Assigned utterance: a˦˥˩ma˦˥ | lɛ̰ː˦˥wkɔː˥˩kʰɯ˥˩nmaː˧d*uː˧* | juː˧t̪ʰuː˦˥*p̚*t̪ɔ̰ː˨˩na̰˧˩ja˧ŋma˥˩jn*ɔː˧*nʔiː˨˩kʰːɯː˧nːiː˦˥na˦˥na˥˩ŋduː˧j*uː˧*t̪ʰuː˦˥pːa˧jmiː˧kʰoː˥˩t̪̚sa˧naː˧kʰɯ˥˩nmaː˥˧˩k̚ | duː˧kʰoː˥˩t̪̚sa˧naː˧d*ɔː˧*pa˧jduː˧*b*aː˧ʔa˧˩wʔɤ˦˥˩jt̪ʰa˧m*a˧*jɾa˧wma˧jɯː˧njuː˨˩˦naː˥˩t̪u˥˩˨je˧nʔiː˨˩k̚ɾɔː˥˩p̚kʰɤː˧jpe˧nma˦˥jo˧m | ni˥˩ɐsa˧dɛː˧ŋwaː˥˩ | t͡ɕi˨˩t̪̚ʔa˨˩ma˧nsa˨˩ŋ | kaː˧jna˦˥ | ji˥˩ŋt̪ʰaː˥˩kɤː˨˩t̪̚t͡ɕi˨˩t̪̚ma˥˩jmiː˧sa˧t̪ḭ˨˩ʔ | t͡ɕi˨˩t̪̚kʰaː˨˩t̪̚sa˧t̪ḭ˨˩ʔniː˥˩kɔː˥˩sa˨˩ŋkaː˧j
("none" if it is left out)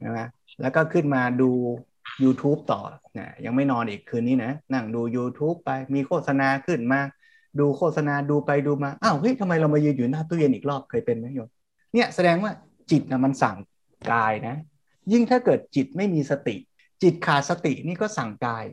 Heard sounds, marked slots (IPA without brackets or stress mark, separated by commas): uː˧, p̚, ɔː˧, uː˧, uː˧, m, a˧